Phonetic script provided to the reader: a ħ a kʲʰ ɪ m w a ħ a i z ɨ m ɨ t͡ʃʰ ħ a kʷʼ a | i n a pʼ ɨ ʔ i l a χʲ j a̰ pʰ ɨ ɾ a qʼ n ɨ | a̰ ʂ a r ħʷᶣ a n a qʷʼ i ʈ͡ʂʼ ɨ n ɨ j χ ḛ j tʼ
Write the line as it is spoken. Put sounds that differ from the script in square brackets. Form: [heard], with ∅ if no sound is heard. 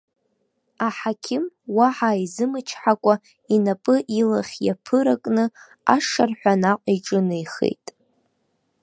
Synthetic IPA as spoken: a ħ a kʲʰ ɪ m w a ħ a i z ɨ m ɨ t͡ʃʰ ħ a kʷʼ a | i n a pʼ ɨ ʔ i l a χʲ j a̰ pʰ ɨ ɾ a [kʼ] n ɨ | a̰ ʂ a r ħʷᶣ a n a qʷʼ i ʈ͡ʂʼ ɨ n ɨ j χ ḛ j tʼ